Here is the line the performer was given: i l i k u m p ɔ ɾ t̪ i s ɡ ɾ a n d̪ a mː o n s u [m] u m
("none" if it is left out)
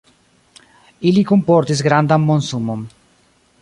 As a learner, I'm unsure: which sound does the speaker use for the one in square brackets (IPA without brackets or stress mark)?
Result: m